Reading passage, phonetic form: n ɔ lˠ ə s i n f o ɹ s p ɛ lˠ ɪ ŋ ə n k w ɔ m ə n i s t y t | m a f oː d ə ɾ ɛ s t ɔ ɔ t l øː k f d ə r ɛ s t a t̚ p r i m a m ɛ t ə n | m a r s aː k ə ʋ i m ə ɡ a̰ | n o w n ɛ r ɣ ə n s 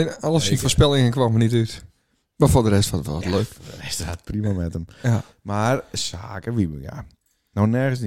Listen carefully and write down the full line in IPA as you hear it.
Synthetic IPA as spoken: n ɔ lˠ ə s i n f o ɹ s p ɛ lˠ ɪ ŋ ə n k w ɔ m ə n i t y t | m a f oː d ə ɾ ɛ s t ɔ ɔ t l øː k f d ə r ɛ s t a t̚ p r i m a m ɛ t ə m | m a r s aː k ə ʋ i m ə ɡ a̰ | n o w n ɛ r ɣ ə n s